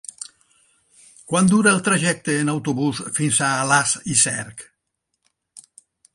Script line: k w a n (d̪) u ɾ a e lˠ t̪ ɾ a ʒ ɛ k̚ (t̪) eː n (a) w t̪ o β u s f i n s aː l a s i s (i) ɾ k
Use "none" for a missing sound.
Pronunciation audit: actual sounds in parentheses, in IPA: d̪, t̪, a, ɛ

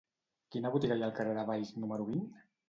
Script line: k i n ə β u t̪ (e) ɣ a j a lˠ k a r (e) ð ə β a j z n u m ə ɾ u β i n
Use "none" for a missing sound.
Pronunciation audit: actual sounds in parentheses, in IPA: i, e

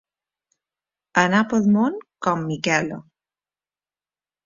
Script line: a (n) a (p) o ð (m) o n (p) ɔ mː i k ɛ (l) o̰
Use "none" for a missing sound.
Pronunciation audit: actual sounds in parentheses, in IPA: n, p, m, k, l

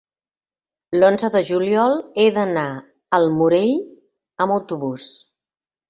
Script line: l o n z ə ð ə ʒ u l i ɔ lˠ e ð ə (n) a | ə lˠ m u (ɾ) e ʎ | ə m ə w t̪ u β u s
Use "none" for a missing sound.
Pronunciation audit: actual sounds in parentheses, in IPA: n, ɾ

